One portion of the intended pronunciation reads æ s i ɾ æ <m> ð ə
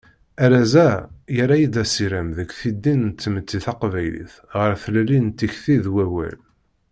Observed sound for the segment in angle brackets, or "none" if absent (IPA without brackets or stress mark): m